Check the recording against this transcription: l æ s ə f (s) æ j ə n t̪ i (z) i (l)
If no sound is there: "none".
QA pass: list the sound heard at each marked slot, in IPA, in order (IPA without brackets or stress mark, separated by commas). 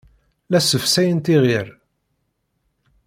s, ʁ, ɾ